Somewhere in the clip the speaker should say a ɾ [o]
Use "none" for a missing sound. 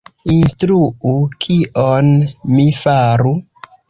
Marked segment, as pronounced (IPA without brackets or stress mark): u